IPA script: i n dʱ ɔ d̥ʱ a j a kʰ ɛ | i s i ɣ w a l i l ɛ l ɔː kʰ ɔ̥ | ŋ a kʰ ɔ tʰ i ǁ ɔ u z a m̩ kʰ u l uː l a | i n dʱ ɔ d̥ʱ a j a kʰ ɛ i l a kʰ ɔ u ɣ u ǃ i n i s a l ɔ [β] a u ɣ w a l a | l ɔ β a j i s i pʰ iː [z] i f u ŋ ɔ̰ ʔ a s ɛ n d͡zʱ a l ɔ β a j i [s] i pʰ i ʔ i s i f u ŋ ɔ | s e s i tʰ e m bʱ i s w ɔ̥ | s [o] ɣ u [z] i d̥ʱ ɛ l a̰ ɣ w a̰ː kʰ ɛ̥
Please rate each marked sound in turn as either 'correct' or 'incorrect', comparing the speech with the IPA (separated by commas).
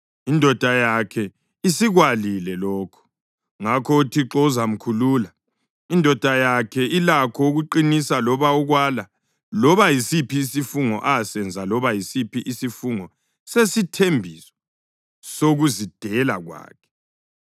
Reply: correct, incorrect, correct, correct, correct